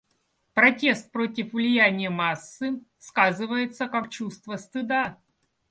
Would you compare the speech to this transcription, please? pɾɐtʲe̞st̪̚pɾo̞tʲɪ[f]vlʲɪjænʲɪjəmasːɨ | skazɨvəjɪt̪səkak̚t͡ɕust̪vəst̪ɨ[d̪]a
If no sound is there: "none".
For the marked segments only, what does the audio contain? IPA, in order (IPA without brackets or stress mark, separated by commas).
f, d̪